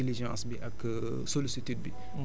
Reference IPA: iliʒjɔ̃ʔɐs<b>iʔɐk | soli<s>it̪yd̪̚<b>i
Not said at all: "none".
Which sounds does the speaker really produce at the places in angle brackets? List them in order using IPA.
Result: b, s, b

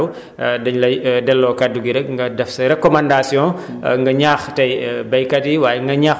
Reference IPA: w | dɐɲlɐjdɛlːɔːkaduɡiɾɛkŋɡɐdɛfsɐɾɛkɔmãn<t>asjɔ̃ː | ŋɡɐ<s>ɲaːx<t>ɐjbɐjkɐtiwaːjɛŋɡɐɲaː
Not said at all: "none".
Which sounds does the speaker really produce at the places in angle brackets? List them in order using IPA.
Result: d, none, t

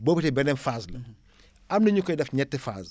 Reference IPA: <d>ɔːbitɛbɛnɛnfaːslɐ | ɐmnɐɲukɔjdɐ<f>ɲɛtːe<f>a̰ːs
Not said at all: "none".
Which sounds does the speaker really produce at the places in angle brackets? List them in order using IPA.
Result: b, f, f

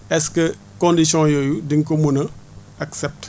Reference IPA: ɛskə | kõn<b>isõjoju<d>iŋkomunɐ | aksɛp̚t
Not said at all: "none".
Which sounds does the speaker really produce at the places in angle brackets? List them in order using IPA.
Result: d, d

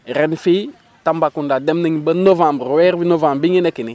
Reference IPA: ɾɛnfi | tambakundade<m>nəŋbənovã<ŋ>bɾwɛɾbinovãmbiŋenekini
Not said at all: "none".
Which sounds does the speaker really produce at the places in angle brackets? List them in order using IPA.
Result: m, m

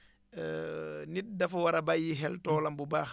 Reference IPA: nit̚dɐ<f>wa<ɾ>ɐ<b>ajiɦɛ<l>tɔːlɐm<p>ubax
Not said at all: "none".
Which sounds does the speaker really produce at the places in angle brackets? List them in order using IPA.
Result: f, ɾ, b, l, b

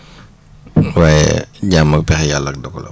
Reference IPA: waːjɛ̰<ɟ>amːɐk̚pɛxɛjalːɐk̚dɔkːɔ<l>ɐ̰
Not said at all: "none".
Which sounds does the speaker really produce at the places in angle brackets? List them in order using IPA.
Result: ɟ, l

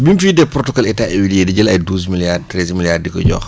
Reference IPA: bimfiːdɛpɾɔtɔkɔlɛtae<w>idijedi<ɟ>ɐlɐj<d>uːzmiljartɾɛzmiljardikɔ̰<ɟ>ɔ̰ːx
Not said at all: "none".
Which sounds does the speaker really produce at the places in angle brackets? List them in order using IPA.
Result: w, ɟ, d, ɟ

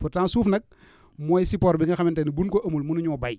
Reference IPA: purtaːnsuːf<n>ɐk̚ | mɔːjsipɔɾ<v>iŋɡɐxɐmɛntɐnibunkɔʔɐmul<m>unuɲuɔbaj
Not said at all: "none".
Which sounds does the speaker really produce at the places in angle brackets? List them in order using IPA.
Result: n, b, m

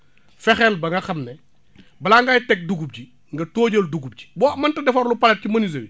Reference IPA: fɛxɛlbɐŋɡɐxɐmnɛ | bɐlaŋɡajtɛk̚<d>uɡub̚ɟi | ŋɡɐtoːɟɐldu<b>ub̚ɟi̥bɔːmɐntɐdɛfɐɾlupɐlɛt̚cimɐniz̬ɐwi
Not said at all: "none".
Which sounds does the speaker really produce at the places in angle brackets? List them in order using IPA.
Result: d, ɡ

